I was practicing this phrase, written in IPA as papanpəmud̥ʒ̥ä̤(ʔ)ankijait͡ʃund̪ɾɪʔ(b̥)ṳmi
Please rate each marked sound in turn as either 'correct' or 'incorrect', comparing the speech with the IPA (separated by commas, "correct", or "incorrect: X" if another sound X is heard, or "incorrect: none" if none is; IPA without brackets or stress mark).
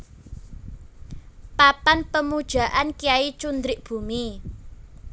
correct, correct